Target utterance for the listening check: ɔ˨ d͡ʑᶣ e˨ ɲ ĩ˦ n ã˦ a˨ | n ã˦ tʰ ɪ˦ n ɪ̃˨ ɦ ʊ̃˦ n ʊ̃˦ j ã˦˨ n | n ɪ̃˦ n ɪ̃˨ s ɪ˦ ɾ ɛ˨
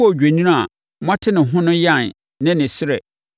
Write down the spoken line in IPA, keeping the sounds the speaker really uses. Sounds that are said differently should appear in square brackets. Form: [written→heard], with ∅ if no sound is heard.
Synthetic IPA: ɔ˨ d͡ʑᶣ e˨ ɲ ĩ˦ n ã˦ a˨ | [n→m] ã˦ tʰ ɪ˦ n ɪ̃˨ ɦ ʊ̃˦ n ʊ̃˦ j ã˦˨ n | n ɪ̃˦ n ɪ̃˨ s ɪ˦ ɾ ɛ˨